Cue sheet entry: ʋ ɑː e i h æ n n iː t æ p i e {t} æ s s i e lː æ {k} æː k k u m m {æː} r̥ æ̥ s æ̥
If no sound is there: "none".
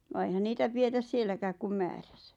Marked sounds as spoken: t, k, æː

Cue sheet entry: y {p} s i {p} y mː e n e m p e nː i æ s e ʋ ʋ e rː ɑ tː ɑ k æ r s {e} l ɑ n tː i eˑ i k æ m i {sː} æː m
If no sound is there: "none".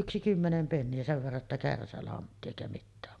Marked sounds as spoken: k, k, æ, tː

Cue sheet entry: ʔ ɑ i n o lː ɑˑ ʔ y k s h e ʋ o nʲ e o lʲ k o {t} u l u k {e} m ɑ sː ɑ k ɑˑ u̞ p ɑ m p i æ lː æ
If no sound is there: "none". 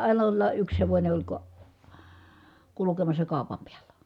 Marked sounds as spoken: k, e

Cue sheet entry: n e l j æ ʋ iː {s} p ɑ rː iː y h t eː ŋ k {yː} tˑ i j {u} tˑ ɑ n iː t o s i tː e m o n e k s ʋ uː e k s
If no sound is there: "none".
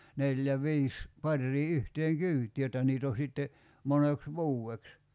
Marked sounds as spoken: s, yː, o

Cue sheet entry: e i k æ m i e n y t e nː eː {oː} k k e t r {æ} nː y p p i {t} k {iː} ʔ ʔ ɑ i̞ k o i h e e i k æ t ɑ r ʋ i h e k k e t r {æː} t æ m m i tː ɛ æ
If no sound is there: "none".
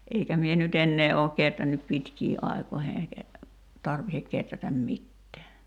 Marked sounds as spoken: oː, æ, t, iː, æ

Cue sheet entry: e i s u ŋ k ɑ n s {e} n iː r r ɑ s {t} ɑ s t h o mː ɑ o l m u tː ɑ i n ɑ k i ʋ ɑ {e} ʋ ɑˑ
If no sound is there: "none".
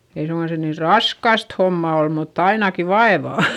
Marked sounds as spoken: e, k, e

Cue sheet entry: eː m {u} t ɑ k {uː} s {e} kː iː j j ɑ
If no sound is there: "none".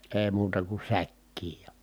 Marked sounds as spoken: uː, u, æ

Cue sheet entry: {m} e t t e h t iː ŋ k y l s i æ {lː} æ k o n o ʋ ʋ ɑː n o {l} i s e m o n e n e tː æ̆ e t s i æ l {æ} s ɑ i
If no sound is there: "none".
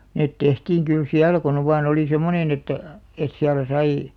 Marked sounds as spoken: n, l, l, æ

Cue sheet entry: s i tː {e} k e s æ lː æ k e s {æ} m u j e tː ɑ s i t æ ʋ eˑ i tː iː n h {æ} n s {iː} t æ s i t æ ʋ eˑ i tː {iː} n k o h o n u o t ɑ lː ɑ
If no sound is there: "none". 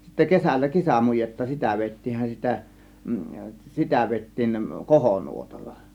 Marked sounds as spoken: æ, æ, æ, i, iː

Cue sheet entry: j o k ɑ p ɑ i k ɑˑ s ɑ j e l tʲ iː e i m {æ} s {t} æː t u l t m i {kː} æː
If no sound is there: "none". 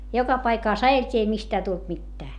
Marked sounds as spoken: i, t, tː

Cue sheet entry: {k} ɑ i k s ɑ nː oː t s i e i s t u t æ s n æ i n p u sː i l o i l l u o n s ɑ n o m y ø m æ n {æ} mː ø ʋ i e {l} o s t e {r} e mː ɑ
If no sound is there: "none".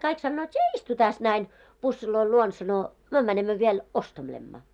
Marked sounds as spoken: k, e, l, l

